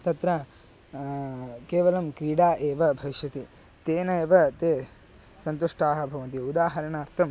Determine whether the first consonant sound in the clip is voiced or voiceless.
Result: voiceless